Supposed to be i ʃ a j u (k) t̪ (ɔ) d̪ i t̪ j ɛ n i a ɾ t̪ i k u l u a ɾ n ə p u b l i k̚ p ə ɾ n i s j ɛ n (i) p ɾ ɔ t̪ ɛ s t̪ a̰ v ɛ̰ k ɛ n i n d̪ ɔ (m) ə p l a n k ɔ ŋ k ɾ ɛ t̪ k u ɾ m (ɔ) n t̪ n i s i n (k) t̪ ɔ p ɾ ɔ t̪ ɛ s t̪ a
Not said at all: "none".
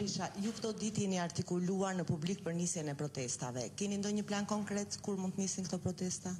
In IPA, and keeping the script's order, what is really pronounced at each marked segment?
k, ɔ, ɛ, ɲ, u, k

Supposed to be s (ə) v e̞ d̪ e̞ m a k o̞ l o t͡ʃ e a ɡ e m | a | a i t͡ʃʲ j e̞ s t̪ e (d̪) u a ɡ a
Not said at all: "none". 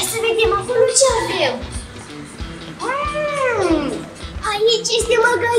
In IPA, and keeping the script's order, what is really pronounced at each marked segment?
ə, none

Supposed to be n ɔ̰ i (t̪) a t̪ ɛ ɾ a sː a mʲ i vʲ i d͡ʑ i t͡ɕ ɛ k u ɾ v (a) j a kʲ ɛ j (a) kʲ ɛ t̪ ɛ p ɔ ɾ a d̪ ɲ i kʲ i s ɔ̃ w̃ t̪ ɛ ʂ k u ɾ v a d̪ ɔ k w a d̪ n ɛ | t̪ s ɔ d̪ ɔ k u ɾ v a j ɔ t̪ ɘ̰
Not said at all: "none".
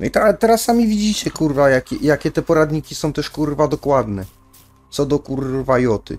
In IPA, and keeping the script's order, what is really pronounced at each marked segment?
t̪, a, a

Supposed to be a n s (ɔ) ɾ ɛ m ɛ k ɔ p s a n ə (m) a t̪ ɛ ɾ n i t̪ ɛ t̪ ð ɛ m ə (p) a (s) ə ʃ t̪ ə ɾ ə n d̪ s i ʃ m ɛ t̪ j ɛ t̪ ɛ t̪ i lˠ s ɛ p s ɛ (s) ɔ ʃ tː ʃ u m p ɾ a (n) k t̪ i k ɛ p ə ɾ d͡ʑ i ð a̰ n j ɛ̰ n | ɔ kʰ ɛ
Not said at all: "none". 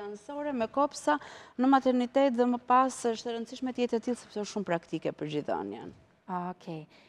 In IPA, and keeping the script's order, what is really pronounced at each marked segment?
ɔ, m, p, s, none, none

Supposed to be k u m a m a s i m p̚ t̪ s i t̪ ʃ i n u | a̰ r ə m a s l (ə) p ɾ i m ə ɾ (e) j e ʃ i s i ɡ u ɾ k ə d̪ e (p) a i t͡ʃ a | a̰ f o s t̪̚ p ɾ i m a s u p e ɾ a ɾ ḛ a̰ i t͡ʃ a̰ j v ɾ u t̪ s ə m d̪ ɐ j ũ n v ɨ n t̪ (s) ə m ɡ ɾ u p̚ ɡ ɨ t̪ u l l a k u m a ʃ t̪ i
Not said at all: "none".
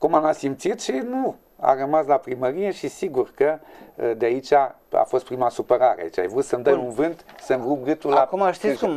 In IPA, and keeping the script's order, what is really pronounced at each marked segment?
a, i, none, s

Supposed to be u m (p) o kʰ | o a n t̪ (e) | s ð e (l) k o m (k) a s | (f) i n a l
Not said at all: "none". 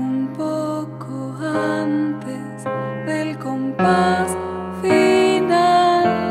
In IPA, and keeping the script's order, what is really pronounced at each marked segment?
p, e, l, p, f

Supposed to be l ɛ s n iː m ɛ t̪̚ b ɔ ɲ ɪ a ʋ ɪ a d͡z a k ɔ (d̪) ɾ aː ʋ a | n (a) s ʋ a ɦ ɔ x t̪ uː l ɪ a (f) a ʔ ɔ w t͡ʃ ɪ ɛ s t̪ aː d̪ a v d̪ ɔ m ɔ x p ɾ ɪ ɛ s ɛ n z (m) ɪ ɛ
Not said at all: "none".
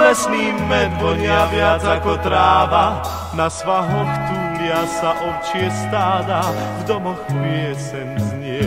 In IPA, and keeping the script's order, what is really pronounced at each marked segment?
t̪, a, s, ɲ

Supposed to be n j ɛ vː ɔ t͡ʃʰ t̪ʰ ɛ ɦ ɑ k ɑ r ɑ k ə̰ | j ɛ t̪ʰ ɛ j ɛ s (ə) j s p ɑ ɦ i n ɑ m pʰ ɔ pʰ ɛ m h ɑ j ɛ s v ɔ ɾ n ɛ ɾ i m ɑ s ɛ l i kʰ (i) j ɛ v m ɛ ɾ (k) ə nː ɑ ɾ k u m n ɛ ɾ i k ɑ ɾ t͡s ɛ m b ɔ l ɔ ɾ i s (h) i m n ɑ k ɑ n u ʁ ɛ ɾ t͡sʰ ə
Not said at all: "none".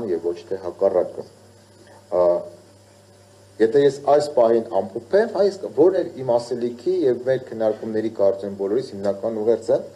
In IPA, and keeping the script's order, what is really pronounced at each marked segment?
ɑ, i, kʰ, h

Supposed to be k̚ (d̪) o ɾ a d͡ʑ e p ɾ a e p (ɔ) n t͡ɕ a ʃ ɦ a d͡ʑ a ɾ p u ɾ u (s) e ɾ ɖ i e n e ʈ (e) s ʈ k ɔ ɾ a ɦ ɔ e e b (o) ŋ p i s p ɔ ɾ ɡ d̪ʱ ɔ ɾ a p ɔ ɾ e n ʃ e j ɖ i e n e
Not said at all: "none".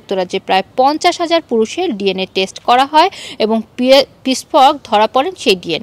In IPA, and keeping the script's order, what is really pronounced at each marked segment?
t̪, ɔ, ʃ, e, o

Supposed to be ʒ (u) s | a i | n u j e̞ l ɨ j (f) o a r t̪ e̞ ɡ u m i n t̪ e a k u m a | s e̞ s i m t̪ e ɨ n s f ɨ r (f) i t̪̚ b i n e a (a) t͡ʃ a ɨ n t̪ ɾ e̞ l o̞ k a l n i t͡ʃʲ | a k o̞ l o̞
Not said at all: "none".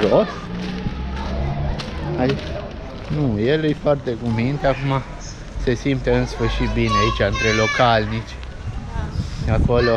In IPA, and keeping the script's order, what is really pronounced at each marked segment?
o, f, ʃ, i

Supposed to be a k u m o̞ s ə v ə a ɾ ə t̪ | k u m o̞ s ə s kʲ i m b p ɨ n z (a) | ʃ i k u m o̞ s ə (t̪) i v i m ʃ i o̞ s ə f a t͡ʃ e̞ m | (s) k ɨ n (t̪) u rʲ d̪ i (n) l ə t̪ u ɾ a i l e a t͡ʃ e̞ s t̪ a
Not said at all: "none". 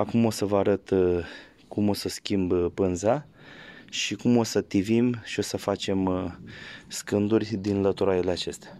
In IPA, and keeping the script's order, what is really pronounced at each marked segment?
a, t̪, s, d̪, n

